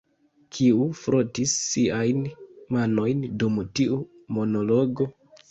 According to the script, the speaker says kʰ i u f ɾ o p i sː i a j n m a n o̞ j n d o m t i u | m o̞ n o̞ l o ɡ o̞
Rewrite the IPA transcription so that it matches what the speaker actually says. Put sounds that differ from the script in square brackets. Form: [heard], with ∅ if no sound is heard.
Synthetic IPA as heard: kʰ i u f ɾ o [t] i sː i a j n m a n o̞ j n d [u] m t i u | m o̞ n o̞ l o ɡ o̞